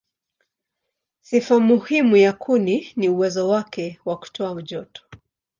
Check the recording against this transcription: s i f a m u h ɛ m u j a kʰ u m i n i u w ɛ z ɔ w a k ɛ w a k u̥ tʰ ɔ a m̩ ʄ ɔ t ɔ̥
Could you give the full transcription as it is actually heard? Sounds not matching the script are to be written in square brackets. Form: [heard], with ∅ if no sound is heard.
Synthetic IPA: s i f a m u h [i] m u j a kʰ u [n] i n i u w ɛ z ɔ w a k ɛ w a k u̥ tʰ ɔ a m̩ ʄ ɔ t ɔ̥